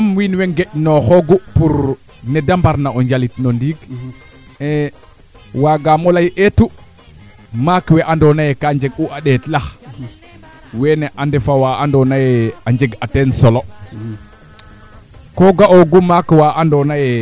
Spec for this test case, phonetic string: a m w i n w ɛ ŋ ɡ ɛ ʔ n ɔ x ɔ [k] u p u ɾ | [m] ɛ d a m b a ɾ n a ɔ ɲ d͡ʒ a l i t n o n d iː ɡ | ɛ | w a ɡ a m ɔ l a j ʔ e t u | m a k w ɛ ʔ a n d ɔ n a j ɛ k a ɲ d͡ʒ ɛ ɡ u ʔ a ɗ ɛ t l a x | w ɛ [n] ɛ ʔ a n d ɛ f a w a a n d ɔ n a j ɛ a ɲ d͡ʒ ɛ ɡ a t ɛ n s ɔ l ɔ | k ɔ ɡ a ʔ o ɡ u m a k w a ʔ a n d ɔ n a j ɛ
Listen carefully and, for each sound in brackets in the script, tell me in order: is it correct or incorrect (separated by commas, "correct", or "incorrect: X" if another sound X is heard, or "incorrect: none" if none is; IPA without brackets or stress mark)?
incorrect: ɡ, incorrect: n, correct